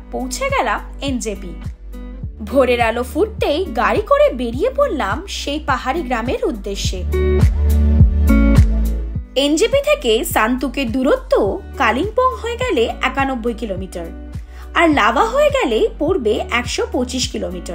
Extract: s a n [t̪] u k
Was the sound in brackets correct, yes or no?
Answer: yes